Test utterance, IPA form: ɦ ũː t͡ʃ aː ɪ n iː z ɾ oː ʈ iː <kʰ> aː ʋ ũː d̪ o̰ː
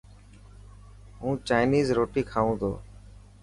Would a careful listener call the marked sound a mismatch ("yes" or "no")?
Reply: no